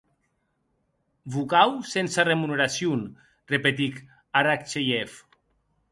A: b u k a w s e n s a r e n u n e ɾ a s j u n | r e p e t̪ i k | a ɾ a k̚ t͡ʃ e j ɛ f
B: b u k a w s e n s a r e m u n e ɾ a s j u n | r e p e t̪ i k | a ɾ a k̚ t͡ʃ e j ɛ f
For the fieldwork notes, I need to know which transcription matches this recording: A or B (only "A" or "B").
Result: B